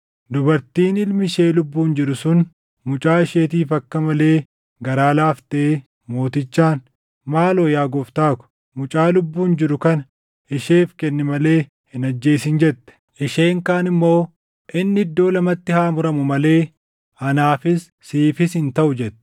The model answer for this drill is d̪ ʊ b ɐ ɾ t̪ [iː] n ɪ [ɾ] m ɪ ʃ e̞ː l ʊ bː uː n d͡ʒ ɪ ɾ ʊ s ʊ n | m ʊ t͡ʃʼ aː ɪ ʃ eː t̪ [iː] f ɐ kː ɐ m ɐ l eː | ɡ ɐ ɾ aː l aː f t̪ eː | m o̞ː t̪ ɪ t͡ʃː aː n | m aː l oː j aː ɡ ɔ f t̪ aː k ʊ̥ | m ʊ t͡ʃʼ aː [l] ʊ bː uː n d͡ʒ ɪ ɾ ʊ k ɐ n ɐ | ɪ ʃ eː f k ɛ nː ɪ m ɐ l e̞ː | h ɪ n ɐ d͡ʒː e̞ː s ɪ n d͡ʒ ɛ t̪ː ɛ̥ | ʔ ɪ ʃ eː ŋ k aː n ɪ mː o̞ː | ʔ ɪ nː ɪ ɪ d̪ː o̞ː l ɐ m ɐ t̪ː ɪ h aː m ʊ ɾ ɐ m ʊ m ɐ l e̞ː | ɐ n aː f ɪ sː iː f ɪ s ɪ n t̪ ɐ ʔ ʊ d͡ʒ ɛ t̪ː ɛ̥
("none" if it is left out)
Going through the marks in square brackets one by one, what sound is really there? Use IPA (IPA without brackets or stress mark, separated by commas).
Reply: iː, l, iː, l